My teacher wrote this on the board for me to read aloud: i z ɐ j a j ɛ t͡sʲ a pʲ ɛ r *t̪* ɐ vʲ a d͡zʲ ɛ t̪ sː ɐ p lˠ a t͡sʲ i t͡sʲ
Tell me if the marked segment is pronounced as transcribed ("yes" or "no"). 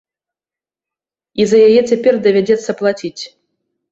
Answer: no